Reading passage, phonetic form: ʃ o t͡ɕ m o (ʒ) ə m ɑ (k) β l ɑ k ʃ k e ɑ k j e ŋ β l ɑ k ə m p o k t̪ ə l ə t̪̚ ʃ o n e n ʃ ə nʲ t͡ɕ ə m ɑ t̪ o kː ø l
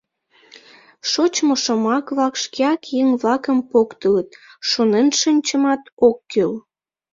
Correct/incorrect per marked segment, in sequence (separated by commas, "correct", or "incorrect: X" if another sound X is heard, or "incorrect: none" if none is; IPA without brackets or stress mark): incorrect: ʃ, correct